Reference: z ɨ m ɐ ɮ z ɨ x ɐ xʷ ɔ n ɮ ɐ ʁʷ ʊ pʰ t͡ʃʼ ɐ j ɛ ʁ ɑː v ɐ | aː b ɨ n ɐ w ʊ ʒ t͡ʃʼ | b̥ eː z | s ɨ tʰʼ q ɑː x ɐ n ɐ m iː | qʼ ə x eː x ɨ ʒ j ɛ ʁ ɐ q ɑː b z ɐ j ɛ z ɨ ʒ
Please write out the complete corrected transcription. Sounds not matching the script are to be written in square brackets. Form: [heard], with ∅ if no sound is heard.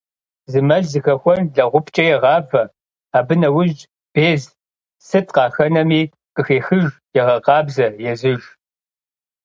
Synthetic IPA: z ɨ m ɐ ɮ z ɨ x ɐ xʷ ɔ n ɮ ɐ ʁʷ ʊ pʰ t͡ʃʼ ɐ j ɛ ʁ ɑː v ɐ | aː b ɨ n ɐ w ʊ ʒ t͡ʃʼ | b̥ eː z | s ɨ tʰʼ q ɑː x ɐ n ɐ m iː | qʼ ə x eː x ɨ ʒ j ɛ ʁ ɐ q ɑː b z ɐ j ɛ z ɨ ʒ